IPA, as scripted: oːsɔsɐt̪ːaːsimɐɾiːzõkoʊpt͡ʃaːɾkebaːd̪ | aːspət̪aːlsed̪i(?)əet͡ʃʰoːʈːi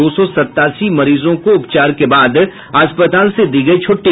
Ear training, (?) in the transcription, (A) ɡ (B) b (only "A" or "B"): A